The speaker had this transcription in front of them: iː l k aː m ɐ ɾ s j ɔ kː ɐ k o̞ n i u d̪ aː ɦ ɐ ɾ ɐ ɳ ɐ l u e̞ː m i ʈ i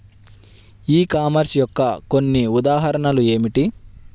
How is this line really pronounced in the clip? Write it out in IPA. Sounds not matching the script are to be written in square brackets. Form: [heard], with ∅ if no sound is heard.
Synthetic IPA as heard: iː [∅] k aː m ɐ ɾ s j ɔ kː ɐ k o̞ [nː] i u d̪ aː ɦ ɐ ɾ ɐ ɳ ɐ l u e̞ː m i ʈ i

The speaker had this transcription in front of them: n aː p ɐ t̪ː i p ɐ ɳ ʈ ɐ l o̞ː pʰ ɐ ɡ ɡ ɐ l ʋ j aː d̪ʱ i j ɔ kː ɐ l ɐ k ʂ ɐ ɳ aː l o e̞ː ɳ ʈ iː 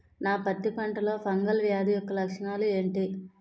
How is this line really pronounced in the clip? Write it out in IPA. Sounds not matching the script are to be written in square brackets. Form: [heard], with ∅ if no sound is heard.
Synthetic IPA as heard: n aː p ɐ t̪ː i p ɐ ɳ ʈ ɐ l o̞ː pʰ ɐ [ŋ] ɡ ɐ l ʋ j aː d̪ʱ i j ɔ kː ɐ l ɐ k ʂ ɐ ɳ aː l [u] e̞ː ɳ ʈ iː

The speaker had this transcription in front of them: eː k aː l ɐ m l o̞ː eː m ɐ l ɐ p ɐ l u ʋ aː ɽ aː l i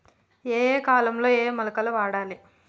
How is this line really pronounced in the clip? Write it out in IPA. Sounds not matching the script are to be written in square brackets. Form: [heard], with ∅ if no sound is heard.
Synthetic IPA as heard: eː k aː l ɐ m l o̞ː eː m ɐ l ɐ [k] ɐ l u ʋ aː ɽ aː l i

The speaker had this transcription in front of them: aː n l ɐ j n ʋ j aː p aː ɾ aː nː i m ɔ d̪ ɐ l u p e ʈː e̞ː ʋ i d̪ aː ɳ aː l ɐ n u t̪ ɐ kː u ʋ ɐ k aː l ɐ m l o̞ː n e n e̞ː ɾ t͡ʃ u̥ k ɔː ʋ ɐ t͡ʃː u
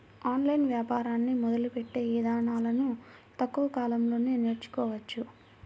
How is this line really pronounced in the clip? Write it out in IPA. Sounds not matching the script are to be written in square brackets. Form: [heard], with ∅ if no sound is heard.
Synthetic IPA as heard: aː n l ɐ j n ʋ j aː p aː ɾ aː nː i m ɔ d̪ ɐ l u p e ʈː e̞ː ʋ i d̪ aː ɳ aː l ɐ n u t̪ ɐ kː u ʋ ɐ k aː l ɐ m l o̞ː n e n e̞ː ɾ t͡ʃ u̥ k ɔː ʋ ɐ t͡ʃː u

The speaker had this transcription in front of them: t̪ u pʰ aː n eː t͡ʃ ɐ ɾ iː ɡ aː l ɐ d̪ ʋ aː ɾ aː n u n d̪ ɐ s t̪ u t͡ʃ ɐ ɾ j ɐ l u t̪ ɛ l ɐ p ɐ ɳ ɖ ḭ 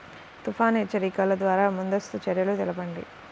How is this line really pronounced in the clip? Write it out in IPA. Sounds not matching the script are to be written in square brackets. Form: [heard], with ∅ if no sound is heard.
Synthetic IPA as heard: t̪ u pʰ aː n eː t͡ʃ ɐ ɾ iː [k] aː l ɐ d̪ ʋ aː ɾ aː [m] u n d̪ ɐ s t̪ u t͡ʃ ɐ ɾ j ɐ l u t̪ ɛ l ɐ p ɐ ɳ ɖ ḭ

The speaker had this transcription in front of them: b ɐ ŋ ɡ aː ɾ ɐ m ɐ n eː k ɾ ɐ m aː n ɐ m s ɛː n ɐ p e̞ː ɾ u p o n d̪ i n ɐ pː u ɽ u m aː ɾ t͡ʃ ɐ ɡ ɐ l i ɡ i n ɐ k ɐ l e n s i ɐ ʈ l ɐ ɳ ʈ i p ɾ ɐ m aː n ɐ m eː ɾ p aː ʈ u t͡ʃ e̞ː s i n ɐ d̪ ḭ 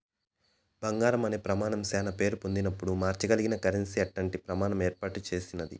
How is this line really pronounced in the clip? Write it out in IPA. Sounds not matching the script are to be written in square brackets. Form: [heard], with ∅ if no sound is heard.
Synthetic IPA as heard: b ɐ ŋ ɡ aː ɾ ɐ m ɐ n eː [p] ɾ ɐ m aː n ɐ m s ɛː n ɐ p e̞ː ɾ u p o n d̪ i n ɐ pː u ɽ u m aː ɾ t͡ʃ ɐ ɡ ɐ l i ɡ i n ɐ k ɐ [ɾ] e n s i ɐ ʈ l ɐ ɳ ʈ i p ɾ ɐ m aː n ɐ m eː ɾ p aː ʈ u t͡ʃ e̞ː s i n ɐ d̪ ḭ

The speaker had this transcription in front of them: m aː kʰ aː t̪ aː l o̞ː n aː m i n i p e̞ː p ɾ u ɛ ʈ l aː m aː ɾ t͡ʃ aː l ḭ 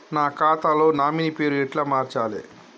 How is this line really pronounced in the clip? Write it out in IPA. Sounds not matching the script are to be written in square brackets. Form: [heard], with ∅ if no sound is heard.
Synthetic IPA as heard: [n] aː [k] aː t̪ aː l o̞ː n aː m i n i p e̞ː [∅] ɾ u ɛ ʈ l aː m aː ɾ t͡ʃ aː l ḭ

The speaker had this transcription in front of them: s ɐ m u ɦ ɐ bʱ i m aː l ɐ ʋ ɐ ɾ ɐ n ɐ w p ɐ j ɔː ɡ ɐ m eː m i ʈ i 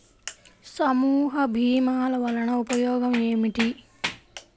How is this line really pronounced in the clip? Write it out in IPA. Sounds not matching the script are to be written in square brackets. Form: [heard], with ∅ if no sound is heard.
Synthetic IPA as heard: s ɐ m [uː] ɦ ɐ bʱ [iː] m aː l ɐ ʋ ɐ [l] ɐ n ɐ [u] p ɐ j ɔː ɡ ɐ m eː m i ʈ i

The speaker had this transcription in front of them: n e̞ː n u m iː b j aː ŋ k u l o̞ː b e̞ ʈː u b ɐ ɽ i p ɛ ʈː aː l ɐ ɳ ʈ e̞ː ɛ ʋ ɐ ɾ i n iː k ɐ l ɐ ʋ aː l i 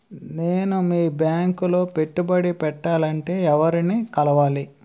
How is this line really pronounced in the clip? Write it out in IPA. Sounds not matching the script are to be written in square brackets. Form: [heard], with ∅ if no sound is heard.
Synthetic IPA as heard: n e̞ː n u m iː b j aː ŋ k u l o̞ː [p] e̞ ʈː u b ɐ ɽ i p ɛ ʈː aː l ɐ ɳ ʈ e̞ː ɛ ʋ ɐ ɾ i n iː k ɐ l ɐ ʋ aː l i

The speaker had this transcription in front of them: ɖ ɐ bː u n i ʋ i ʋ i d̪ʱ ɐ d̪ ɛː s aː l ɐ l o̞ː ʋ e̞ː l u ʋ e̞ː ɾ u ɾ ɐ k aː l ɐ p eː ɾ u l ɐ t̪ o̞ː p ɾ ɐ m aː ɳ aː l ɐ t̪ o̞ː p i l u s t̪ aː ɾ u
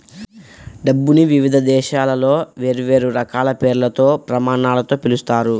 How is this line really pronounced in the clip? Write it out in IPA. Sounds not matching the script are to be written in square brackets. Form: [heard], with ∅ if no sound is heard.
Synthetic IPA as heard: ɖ ɐ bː u n i ʋ i ʋ i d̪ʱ ɐ d̪ ɛː [ʃ] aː l ɐ l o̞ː ʋ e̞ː [ɾ] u ʋ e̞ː ɾ u ɾ ɐ k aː l ɐ p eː ɾ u l ɐ t̪ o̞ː p ɾ ɐ m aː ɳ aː l ɐ t̪ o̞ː p i l u s t̪ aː ɾ u

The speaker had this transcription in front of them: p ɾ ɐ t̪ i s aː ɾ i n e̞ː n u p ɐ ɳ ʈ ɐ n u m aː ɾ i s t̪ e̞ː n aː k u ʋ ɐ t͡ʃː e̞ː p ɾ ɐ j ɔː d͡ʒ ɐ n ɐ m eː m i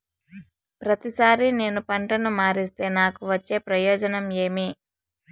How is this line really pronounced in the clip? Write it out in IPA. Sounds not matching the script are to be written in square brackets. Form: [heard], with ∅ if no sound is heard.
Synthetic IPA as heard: p ɾ ɐ t̪ i s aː ɾ i n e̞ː n u p ɐ ɳ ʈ ɐ n u m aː ɾ i s t̪ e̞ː n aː k u ʋ ɐ t͡ʃː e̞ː p ɾ ɐ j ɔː d͡ʒ ɐ n ɐ m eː m i

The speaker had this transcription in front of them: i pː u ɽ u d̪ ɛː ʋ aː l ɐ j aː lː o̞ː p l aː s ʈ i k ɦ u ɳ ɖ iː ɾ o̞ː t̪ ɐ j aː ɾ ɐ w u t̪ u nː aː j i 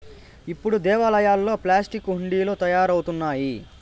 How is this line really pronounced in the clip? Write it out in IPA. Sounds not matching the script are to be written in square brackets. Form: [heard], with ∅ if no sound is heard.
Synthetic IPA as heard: i pː u ɽ u d̪ ɛː ʋ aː l ɐ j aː lː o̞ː p l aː s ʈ i k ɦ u ɳ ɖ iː [l] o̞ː t̪ ɐ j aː ɾ ɐ w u t̪ u nː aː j i

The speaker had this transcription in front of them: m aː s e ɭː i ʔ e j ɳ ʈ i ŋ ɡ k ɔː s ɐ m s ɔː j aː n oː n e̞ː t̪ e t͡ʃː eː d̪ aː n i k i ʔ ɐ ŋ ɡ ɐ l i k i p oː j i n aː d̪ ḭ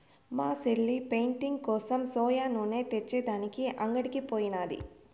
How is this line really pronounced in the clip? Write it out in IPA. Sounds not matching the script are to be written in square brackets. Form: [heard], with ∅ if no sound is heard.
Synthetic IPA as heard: m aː s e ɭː i [p] e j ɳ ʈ i ŋ ɡ k ɔː s ɐ m s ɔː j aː n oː n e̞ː t̪ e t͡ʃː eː d̪ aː n i k i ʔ ɐ ŋ ɡ ɐ [ɽ] i k i p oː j i n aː d̪ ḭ

